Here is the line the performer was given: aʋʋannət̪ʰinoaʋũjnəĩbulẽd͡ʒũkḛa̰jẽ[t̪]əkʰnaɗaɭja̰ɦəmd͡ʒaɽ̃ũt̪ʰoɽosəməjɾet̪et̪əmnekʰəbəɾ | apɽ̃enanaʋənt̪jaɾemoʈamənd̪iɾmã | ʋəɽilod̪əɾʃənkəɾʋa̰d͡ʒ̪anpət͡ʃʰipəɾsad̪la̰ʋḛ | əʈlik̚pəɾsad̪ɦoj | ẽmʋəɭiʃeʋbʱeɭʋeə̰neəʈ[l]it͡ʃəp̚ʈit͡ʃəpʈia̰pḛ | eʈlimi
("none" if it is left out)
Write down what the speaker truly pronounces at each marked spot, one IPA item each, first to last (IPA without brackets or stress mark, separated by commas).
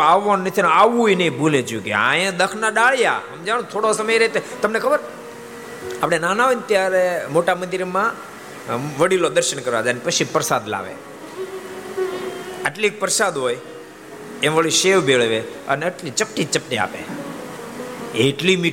d̪, l